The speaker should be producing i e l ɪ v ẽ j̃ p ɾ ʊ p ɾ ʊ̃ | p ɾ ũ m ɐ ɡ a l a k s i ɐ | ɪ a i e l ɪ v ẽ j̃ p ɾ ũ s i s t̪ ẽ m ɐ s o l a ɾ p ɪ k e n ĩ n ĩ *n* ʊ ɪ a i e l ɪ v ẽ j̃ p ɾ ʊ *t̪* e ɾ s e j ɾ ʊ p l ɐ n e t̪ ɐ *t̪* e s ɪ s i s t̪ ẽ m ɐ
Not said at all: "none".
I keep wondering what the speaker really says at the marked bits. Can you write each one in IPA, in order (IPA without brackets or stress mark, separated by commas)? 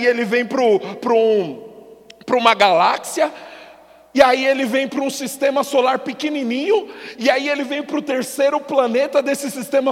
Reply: ɲ, t̪, d̪